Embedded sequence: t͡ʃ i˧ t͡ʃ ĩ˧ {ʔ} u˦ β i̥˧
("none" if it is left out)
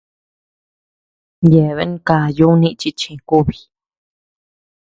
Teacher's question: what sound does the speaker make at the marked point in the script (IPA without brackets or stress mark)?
k